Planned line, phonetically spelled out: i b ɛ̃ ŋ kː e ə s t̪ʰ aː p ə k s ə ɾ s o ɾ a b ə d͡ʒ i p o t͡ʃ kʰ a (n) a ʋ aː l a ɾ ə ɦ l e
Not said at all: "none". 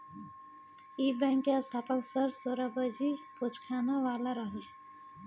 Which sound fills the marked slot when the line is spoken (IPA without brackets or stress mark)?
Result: n